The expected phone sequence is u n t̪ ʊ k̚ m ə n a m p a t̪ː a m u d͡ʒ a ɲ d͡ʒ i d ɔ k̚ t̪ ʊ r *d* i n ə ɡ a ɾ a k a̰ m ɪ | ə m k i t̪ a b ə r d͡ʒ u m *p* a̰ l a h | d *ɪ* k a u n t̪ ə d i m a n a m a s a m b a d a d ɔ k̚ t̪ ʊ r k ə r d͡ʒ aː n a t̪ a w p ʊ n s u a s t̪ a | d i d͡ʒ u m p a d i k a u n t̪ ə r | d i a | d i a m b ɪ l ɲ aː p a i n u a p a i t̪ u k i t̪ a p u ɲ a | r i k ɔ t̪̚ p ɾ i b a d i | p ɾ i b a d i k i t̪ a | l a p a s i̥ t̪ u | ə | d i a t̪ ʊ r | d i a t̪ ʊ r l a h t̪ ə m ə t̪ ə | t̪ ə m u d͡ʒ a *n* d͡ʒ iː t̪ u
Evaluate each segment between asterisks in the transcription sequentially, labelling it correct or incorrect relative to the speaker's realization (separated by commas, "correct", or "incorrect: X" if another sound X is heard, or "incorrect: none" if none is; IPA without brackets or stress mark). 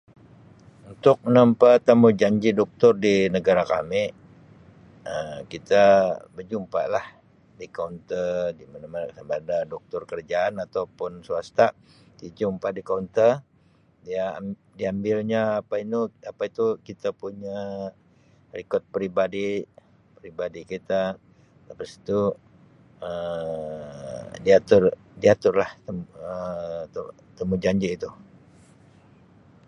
correct, correct, incorrect: i, incorrect: ɲ